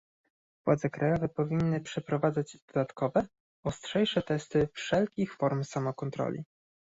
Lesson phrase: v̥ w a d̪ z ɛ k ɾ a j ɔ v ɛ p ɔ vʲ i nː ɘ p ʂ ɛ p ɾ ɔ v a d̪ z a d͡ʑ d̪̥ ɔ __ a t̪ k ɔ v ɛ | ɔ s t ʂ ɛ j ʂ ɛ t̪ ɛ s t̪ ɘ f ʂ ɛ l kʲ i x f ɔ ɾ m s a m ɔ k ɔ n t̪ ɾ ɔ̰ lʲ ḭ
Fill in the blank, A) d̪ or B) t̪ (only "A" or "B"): A